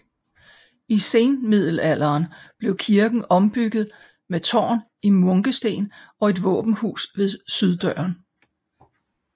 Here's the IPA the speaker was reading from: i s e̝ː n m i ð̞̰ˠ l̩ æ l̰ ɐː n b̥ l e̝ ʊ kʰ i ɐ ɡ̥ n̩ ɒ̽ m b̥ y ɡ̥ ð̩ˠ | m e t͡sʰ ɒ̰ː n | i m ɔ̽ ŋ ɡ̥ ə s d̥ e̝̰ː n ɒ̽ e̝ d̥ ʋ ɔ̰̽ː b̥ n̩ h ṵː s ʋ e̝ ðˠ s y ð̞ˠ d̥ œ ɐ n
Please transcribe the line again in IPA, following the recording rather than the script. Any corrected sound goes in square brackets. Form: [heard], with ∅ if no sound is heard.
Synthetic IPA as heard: i s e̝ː n m i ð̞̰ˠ l̩ æ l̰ ɐː n b̥ l e̝ ʊ kʰ i ɐ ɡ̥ n̩ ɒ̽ m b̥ y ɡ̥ ð̩ˠ | m e t͡sʰ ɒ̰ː n | i m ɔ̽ ŋ ɡ̥ ə s d̥ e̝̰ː n ɒ̽ e̝ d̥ ʋ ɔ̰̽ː b̥ n̩ h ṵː s ʋ e̝ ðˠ s y ð̞ˠ d̥ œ ɐ n